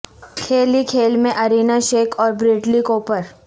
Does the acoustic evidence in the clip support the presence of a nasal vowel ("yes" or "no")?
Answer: yes